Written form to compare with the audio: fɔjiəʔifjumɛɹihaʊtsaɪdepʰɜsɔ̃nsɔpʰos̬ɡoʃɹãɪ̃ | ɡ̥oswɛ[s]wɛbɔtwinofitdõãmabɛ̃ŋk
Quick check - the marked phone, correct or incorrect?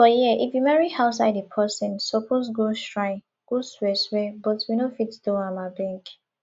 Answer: correct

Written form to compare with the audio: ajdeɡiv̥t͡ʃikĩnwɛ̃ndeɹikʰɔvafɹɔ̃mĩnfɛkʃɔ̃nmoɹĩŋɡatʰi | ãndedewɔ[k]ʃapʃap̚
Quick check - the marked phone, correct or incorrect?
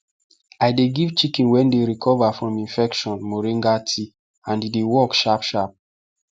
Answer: correct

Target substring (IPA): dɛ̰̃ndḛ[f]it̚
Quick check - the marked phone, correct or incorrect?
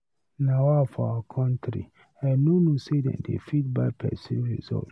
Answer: correct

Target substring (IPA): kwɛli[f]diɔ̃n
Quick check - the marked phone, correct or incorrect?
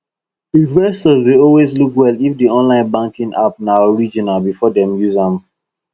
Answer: correct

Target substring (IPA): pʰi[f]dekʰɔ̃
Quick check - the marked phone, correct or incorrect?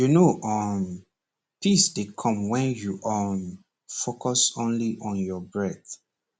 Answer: incorrect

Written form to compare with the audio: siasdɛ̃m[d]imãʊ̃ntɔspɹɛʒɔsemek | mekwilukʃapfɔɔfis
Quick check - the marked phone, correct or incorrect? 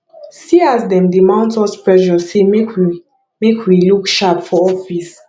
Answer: correct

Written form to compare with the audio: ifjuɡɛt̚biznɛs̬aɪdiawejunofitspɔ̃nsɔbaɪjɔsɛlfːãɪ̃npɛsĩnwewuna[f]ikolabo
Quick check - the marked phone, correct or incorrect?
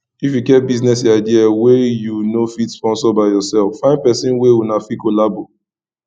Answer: correct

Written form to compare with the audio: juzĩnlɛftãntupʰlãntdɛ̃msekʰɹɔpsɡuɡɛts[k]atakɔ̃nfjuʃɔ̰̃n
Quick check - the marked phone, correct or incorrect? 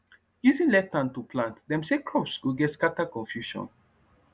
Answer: correct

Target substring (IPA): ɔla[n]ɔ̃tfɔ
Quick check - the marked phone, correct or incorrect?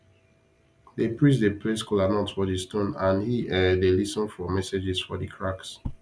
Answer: correct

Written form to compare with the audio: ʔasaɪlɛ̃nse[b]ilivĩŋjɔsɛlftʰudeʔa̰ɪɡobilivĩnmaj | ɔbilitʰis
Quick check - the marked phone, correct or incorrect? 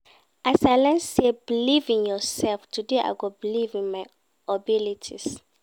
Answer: correct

